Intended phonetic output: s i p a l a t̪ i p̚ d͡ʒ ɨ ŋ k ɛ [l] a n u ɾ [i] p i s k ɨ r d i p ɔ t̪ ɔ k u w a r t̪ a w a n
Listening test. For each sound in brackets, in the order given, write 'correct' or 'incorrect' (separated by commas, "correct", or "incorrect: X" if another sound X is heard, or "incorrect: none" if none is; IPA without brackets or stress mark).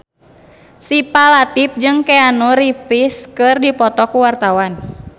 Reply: incorrect: none, correct